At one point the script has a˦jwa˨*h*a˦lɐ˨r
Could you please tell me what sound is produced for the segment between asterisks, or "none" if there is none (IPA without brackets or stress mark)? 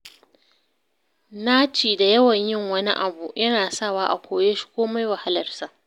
h